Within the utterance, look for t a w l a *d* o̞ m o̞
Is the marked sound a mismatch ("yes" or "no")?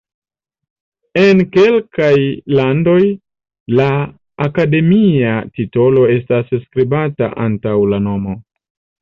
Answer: yes